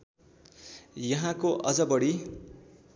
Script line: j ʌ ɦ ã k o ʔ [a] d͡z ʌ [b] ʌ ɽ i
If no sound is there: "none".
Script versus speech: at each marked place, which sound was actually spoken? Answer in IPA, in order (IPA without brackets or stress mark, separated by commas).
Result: ʌ, b